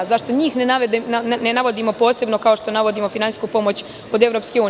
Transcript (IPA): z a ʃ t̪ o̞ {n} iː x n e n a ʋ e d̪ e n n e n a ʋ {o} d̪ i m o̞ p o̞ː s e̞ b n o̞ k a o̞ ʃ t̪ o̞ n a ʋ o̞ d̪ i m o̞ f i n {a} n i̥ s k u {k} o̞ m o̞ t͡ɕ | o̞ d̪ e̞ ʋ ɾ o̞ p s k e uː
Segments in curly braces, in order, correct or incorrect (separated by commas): incorrect, correct, correct, incorrect